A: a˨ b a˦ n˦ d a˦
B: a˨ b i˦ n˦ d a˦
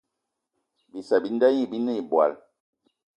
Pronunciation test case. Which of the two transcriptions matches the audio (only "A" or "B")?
B